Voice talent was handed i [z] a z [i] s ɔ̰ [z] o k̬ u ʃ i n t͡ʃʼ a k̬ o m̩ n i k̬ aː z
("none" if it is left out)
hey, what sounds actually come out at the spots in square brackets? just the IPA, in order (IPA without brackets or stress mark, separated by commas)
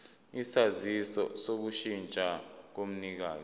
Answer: s, i, s